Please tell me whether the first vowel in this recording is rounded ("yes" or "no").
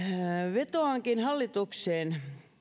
no